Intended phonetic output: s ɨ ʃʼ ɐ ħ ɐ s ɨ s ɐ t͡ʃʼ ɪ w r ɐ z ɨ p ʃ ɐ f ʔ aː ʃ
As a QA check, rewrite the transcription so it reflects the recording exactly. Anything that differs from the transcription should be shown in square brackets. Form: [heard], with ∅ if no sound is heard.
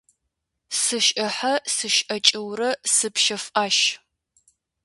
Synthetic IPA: s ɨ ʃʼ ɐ ħ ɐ s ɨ [ʃ] ɐ t͡ʃʼ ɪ w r ɐ [s] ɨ p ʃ ɐ f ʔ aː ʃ